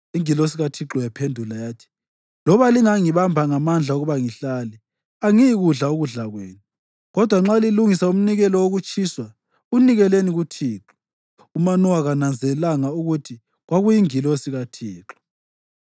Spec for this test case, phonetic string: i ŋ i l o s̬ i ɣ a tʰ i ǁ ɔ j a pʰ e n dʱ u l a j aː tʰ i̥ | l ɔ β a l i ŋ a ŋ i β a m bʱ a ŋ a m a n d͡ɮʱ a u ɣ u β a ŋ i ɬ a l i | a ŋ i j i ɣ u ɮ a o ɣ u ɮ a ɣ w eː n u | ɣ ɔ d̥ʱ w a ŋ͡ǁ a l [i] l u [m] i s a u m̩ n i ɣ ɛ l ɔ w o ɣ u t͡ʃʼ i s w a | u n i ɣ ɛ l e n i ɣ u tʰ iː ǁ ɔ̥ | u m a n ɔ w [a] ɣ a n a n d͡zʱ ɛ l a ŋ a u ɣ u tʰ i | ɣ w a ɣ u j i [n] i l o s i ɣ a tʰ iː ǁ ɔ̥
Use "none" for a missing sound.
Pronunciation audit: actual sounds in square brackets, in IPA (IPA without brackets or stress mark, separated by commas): i, ŋ, a, ŋ